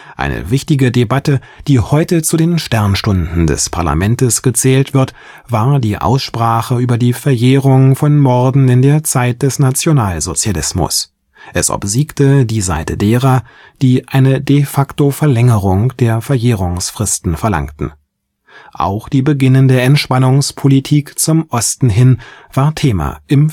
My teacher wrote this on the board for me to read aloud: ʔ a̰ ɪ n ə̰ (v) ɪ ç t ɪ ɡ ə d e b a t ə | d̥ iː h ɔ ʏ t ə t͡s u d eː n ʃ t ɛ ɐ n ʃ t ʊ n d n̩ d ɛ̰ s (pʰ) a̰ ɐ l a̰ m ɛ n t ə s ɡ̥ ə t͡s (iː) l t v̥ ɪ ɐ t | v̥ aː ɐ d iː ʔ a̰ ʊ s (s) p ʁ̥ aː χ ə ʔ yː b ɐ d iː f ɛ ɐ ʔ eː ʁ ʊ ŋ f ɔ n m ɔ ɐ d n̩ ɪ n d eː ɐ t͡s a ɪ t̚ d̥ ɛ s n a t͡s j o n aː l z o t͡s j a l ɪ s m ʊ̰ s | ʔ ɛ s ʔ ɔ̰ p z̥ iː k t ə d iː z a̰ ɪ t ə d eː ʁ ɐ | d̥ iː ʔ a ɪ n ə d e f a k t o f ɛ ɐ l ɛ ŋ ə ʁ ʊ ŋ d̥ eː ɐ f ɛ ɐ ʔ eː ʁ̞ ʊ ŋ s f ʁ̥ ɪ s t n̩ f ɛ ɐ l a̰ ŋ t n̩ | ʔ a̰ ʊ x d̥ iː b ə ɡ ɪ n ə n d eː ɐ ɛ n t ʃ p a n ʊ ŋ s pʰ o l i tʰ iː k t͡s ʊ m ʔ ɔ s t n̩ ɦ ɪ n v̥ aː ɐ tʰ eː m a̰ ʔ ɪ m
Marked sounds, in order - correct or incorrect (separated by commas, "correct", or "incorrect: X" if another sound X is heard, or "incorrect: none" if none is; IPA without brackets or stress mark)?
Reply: correct, correct, incorrect: ɛː, incorrect: ʃ